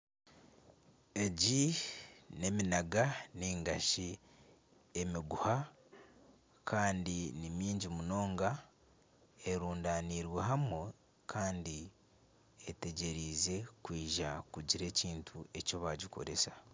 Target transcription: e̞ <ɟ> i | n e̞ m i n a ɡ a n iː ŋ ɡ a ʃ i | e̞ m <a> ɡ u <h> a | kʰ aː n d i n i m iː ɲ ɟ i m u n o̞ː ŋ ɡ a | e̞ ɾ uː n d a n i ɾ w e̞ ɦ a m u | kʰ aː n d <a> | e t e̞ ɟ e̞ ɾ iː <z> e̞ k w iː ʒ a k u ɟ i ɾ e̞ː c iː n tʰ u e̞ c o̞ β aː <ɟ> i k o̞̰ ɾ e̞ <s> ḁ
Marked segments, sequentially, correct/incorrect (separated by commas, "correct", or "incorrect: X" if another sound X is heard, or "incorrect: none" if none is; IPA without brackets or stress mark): correct, incorrect: i, correct, incorrect: i, correct, correct, correct